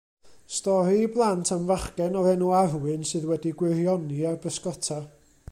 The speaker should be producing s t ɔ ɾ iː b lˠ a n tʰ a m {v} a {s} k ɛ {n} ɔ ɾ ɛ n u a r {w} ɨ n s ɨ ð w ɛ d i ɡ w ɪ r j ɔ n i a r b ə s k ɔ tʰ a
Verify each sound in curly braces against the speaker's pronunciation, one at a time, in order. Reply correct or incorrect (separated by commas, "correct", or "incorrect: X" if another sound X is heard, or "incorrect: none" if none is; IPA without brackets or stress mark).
correct, incorrect: χ, correct, correct